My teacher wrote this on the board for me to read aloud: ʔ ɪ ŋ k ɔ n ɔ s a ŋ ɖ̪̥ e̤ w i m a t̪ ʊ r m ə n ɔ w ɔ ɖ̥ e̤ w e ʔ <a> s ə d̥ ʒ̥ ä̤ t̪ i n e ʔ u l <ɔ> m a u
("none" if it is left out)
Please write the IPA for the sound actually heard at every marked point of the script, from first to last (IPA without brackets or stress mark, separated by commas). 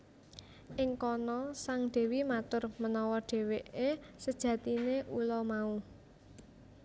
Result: e, ɔ